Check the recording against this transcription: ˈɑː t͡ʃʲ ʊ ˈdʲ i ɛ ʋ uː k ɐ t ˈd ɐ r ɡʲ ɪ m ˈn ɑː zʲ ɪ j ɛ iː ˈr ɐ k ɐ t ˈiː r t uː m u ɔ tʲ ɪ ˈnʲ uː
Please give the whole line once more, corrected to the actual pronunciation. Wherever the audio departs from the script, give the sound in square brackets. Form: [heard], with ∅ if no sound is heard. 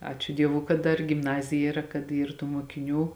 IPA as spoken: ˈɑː t͡ʃʲ ʊ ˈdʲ i ɛ ʋ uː k ɐ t ˈd ɐ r ɡʲ ɪ m ˈn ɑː zʲ ɪ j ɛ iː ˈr ɐ k ɐ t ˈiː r t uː m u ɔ [kʲ] ɪ ˈnʲ uː